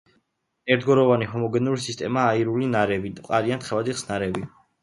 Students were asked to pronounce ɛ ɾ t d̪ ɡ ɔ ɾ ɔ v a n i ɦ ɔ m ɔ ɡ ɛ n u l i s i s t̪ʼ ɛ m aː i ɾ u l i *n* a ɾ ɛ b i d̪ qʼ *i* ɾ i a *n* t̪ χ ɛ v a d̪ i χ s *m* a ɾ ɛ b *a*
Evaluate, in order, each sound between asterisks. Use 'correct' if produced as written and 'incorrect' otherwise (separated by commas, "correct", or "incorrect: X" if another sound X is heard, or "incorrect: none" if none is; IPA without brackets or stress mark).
correct, incorrect: a, correct, incorrect: n, incorrect: i